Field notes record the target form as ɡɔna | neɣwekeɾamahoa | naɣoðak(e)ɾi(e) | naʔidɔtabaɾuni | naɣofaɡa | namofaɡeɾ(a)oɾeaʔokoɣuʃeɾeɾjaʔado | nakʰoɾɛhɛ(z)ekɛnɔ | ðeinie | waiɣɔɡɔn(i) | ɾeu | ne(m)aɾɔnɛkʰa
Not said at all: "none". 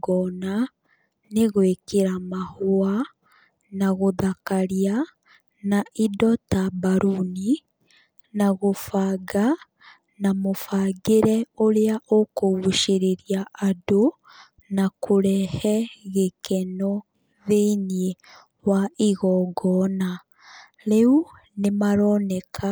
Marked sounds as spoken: a, a, ɛ, ɣ, a, m

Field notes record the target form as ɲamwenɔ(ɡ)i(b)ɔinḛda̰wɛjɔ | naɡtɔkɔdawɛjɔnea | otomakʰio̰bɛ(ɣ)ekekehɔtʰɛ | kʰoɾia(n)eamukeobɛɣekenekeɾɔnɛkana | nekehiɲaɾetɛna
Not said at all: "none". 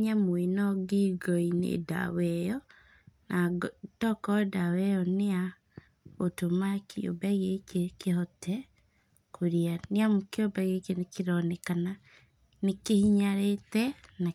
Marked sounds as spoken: ɡ, ɡ, ɣ, n

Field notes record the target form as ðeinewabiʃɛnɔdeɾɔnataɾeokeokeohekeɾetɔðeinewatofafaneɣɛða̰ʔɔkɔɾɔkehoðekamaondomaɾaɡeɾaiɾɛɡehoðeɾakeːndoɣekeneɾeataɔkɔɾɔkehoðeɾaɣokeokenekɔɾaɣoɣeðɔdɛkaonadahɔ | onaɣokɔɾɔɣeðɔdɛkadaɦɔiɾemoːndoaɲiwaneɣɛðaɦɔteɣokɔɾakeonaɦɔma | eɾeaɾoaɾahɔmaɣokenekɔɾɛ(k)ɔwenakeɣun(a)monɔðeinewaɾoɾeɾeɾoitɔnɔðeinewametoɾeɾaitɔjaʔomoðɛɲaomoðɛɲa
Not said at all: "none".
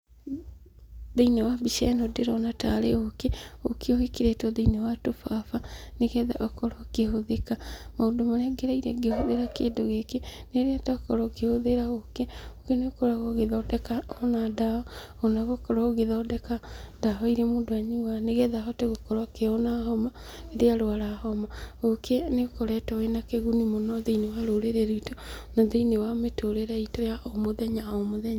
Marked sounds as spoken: t, i

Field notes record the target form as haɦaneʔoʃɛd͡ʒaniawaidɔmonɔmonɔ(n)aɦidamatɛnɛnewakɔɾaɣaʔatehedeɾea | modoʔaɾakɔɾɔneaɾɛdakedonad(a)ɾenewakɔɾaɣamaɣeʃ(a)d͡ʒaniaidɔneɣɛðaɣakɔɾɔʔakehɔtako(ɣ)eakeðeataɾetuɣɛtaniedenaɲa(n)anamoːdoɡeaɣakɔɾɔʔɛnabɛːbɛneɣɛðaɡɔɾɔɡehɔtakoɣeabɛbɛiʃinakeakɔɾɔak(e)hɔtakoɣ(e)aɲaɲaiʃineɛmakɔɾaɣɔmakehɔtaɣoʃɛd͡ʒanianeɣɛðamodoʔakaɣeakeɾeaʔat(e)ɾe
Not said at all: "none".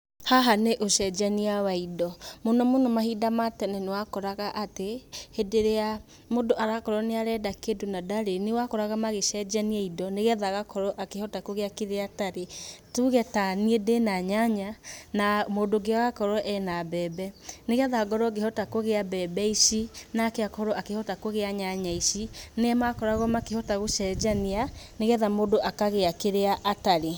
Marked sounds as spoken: m, a, ɛ, ɣ, ɲ, e, e, a

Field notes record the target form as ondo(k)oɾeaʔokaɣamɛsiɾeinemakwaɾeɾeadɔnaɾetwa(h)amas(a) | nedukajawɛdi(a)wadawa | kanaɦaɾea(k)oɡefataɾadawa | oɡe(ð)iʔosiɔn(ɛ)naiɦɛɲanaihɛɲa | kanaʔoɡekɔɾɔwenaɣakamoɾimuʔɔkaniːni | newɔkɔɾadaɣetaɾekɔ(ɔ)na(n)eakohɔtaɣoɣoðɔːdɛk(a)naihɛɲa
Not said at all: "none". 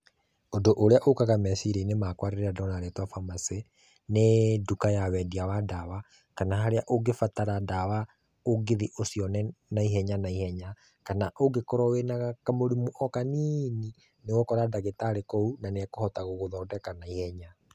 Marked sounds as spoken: ʔ, f, e, a, ʔ, ð, ɛ, u, n, a

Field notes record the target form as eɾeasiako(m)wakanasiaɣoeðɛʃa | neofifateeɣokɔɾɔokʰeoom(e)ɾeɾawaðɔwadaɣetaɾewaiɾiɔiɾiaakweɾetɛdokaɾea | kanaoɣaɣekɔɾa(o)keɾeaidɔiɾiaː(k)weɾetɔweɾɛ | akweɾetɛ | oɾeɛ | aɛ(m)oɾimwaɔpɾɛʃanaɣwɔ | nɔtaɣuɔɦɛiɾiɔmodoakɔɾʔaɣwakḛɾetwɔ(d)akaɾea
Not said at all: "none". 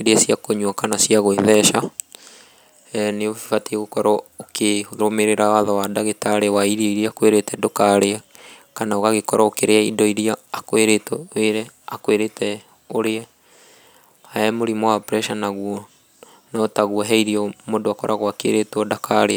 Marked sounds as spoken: ɲ, e, o, k, m, d

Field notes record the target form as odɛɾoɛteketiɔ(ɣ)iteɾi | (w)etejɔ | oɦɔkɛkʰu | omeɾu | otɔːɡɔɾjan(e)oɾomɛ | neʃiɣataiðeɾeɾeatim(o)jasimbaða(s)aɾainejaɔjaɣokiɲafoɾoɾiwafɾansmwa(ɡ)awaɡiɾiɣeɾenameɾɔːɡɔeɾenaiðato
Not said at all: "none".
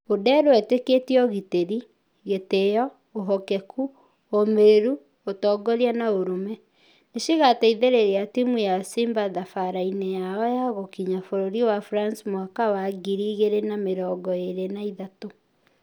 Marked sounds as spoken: ɣ, ɣ, a, u, f, k

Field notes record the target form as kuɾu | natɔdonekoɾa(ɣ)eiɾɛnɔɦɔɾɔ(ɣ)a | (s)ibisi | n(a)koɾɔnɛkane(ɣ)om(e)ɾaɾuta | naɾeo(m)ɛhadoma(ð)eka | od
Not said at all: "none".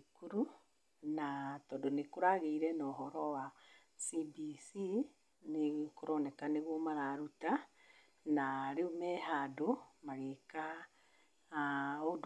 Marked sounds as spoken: ɣ, w, s, e, ɣ, a, m, ɣ

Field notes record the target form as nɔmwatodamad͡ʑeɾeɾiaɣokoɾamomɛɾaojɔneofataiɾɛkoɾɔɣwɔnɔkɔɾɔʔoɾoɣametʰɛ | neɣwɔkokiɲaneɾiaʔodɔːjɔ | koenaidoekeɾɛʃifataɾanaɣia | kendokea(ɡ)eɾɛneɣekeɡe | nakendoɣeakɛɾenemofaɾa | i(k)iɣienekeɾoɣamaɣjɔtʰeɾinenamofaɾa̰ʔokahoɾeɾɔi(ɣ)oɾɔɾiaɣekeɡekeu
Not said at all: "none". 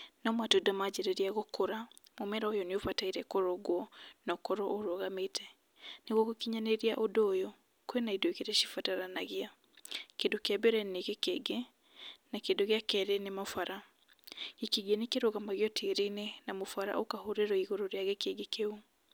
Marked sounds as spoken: b, k, ɣ

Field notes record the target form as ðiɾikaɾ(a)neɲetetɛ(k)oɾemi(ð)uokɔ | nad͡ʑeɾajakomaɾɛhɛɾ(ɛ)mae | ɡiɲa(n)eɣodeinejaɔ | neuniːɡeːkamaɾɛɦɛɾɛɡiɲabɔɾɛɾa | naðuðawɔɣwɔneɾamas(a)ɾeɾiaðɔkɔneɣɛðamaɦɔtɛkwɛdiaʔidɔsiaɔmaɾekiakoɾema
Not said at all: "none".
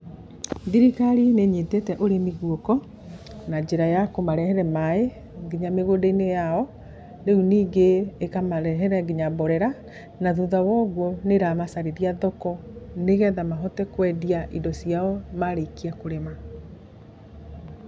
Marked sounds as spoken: i, ʔ, ɣ, ɛ, m, a

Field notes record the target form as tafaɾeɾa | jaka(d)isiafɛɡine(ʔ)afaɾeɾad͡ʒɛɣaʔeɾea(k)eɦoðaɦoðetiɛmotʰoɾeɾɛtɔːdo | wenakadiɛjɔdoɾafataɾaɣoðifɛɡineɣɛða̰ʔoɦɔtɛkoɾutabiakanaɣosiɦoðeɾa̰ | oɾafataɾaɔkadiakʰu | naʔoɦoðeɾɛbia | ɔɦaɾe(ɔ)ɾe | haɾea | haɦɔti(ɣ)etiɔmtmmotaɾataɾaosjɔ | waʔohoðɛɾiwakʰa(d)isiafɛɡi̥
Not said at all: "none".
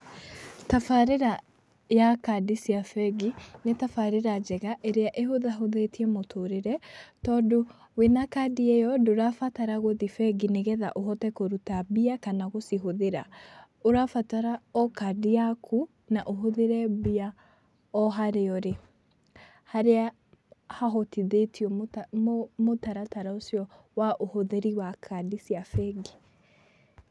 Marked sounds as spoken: d, t, ʔ, ɔ, ð, d

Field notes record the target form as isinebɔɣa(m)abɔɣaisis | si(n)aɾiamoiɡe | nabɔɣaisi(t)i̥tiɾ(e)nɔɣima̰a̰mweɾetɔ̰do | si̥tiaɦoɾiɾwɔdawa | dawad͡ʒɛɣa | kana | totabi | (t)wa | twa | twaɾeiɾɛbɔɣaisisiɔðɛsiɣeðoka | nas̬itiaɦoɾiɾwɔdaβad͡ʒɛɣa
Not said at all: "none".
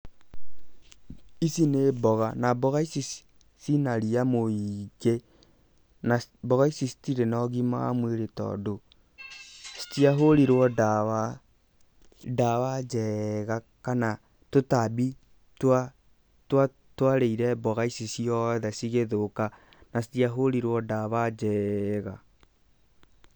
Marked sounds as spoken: n, n, s, e, t

